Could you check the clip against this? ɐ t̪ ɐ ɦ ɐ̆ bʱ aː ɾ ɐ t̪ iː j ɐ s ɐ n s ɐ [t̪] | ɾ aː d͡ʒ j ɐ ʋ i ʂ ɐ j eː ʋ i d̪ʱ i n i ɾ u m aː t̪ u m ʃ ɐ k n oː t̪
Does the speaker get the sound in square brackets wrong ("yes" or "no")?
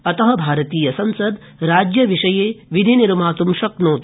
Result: yes